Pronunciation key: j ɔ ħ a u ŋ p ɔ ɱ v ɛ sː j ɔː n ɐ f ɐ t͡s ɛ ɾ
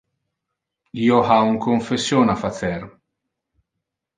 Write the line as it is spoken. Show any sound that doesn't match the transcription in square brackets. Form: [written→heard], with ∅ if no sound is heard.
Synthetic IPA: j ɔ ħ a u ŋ [p→k] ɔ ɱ [v→f] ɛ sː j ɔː n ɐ f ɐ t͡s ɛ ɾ